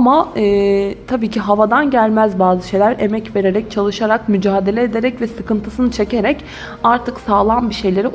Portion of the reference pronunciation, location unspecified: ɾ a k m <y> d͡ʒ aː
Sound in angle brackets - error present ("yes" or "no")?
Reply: no